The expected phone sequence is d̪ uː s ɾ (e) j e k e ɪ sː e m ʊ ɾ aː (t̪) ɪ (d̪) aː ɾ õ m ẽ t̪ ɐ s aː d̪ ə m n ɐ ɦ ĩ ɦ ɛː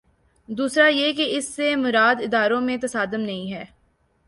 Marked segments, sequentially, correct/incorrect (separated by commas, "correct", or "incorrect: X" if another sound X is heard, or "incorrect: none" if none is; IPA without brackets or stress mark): incorrect: a, incorrect: d̪, correct